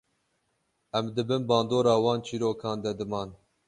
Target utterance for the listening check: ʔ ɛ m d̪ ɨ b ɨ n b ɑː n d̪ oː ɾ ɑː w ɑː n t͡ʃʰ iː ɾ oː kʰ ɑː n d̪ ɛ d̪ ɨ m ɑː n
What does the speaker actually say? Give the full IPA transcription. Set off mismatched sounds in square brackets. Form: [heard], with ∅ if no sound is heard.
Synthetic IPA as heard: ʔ ɛ m d̪ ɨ b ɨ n b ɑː n d̪ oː ɾ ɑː w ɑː n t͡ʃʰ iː ɾ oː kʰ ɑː n d̪ ɛ d̪ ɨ m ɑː n